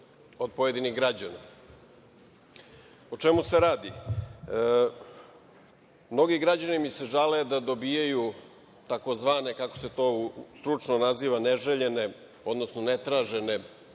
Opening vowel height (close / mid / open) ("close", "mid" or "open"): mid